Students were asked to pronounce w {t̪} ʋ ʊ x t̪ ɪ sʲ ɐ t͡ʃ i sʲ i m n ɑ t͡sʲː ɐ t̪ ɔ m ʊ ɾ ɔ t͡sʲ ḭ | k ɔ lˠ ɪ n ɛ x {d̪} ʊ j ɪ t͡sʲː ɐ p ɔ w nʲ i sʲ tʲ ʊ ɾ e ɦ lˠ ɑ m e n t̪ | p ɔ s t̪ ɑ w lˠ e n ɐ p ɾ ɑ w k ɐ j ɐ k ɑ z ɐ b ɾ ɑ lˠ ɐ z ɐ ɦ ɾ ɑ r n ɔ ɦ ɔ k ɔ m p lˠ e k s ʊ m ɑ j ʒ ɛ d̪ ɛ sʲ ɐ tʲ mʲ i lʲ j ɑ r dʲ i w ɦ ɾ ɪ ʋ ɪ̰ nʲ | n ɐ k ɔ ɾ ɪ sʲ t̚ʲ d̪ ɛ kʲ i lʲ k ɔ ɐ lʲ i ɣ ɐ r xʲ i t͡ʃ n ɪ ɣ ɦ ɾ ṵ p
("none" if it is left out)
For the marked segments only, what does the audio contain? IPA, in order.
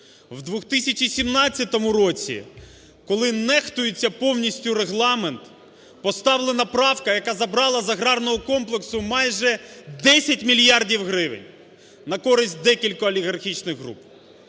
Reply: d̪, t̪

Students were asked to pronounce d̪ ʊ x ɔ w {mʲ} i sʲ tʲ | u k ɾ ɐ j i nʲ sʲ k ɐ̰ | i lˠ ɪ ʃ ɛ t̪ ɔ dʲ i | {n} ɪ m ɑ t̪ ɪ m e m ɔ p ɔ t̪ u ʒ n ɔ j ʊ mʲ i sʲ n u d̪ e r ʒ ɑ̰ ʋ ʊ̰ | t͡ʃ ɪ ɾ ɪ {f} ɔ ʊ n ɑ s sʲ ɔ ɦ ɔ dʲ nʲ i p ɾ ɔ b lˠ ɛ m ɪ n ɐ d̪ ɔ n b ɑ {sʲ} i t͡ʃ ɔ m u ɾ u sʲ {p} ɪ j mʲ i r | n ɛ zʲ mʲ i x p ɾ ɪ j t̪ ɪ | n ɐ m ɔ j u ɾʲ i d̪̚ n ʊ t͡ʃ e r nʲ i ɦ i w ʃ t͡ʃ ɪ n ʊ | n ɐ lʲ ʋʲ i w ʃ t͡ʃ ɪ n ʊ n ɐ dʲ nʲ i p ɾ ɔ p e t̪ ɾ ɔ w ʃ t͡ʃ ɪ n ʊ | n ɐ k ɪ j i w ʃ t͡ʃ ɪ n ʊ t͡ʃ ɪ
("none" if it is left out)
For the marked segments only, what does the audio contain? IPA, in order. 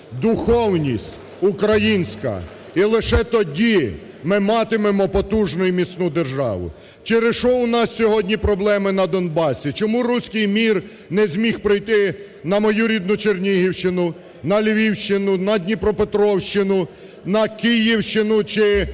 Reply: nʲ, m, ʃ, sʲ, k

